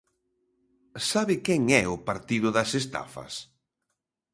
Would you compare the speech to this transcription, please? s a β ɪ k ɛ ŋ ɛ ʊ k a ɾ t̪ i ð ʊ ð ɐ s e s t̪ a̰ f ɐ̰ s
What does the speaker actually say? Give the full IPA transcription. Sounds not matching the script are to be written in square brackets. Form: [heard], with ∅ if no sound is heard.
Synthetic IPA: s a β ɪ k ɛ ŋ ɛ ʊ [p] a ɾ t̪ i ð ʊ ð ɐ s e s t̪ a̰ f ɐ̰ s